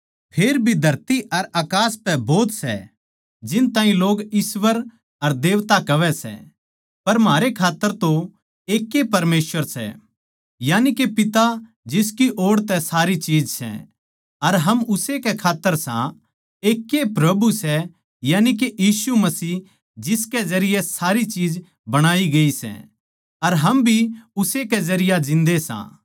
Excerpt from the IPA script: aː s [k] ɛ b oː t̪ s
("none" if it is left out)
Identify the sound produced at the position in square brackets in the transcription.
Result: p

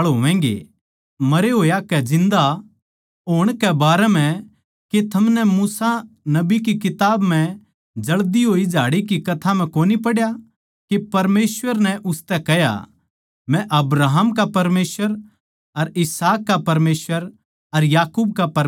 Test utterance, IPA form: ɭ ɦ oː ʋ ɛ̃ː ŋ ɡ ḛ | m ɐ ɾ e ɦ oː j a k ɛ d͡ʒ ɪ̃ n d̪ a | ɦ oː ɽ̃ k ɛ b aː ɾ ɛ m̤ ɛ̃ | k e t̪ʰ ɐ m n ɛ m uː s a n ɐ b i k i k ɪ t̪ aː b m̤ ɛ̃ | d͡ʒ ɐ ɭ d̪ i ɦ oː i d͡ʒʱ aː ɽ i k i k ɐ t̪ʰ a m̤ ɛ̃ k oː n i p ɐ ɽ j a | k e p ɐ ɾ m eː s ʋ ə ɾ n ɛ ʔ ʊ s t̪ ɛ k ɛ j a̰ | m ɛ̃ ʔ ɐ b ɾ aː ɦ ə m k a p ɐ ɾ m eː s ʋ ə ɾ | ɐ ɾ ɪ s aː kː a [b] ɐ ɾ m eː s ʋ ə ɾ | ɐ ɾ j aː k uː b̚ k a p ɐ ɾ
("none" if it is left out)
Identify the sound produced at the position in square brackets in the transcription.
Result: p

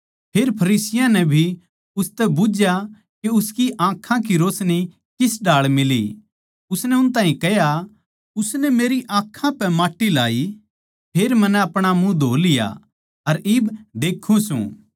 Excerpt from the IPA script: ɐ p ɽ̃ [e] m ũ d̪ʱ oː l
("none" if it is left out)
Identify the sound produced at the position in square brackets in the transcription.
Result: a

